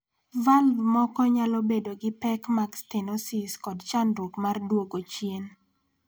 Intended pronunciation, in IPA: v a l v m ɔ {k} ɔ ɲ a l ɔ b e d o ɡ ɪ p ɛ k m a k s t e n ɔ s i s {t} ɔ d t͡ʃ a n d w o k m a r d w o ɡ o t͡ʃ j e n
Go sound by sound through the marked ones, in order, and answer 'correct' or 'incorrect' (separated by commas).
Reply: correct, incorrect